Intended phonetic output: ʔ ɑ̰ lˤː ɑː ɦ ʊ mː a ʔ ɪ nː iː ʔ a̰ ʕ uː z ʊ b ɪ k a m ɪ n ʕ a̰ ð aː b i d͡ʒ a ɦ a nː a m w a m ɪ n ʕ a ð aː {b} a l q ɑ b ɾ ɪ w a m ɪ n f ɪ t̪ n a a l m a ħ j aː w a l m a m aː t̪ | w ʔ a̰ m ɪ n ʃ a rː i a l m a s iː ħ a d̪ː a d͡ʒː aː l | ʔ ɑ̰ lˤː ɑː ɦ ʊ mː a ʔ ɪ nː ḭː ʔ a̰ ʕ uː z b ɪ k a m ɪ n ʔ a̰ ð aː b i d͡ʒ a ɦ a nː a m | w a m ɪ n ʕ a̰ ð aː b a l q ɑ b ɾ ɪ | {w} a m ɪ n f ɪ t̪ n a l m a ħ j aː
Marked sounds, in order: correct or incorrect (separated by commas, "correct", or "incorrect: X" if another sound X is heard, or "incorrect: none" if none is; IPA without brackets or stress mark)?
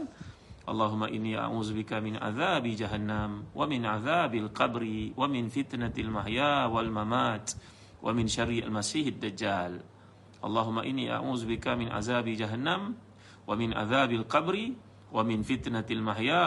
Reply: correct, correct